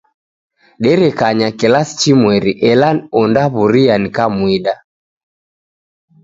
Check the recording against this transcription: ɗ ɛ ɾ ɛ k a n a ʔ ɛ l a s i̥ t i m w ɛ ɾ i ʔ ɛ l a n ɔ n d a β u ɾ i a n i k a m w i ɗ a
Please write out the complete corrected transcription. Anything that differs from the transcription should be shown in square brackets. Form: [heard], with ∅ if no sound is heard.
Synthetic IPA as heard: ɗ ɛ ɾ ɛ k a [ɲ] a [k] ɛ l a s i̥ [t͡ʃ] i m w ɛ ɾ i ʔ ɛ l a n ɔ n d a β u ɾ i a n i k a m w i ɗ a